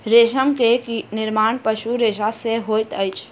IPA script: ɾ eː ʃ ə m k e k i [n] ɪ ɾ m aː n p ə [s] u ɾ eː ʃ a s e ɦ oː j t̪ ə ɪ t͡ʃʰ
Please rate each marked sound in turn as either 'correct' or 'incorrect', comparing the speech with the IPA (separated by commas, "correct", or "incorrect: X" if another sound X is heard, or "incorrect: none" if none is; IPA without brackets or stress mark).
correct, incorrect: ʃ